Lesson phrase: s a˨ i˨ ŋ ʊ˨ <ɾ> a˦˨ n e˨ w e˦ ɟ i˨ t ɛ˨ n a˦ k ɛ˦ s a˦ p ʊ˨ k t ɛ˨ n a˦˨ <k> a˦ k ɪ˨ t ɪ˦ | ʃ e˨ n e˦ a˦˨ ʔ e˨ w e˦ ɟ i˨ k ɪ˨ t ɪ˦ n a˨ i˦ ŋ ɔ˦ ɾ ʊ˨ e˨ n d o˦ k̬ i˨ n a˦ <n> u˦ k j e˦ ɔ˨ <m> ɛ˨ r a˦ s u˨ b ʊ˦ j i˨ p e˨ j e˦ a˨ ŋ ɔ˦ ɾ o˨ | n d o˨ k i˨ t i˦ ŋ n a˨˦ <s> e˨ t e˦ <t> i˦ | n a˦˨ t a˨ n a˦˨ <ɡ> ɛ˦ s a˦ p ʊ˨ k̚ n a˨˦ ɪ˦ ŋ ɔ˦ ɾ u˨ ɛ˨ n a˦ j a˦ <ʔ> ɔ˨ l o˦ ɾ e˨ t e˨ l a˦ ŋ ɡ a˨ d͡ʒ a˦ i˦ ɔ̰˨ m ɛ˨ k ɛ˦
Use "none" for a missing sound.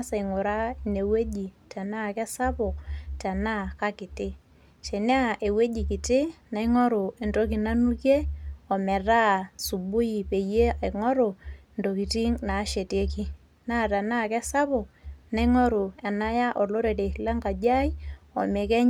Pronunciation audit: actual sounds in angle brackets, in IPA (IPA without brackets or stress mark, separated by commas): ɾ, k, n, m, ʃ, k, k, ʔ